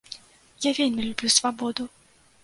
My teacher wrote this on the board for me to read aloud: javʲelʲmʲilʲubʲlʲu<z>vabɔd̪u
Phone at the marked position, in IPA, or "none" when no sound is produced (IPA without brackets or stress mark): s